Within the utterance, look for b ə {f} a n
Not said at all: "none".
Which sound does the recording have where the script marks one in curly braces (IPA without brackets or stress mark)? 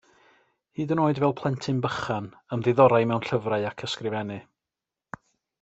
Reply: χ